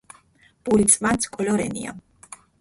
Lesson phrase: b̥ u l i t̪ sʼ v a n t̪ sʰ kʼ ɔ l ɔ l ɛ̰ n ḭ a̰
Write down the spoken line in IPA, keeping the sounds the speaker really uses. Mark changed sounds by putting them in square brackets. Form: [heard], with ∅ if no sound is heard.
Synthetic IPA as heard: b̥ u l i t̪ sʼ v a n t̪ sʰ kʼ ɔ l ɔ [ɾ] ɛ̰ n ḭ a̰